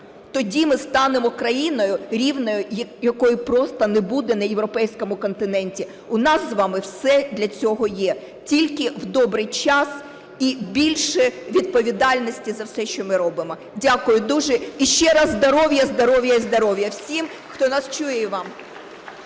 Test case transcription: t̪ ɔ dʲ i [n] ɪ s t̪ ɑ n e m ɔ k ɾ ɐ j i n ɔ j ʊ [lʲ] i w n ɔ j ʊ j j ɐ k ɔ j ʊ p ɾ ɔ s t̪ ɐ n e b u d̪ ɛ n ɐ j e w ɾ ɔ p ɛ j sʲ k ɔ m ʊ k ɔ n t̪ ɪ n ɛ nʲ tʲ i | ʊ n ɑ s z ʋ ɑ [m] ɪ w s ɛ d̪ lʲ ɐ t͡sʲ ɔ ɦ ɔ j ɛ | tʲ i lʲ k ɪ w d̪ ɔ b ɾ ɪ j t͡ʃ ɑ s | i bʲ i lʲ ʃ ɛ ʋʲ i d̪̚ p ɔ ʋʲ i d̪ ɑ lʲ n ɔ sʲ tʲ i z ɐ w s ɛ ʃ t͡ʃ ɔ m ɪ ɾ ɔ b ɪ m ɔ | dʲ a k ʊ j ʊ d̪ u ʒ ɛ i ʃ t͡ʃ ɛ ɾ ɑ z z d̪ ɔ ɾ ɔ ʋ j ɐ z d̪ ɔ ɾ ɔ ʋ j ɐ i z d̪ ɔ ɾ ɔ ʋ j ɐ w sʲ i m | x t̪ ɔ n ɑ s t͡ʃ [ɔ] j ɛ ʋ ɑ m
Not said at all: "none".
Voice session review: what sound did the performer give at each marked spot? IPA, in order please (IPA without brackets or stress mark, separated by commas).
m, ɾʲ, m, u